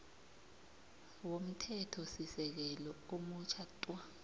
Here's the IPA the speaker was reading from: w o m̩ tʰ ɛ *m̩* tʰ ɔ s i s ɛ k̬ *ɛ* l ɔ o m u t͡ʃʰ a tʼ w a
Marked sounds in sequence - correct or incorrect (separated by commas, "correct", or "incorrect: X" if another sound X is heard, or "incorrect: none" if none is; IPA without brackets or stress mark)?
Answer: incorrect: none, correct